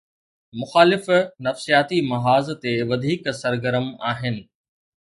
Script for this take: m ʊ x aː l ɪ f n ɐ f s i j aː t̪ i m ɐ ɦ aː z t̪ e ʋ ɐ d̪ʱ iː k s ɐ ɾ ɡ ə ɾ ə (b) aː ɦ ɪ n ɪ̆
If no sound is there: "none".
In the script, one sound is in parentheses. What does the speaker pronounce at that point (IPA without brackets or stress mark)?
m